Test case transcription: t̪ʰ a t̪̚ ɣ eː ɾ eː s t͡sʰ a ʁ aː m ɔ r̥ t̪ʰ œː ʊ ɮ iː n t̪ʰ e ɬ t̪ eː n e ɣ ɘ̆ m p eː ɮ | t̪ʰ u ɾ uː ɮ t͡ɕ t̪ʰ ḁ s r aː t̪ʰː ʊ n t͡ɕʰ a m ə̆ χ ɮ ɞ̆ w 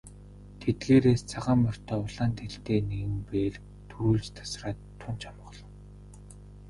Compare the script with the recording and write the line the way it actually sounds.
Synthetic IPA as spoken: t̪ʰ e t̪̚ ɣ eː ɾ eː s t͡sʰ a ʁ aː m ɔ r̥ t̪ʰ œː ʊ ɮ aː n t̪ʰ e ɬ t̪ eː n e ɣ ɘ̆ m p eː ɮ | t̪ʰ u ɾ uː ɮ t͡ɕ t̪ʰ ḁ s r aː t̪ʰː ʊ n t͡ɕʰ a m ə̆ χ ɮ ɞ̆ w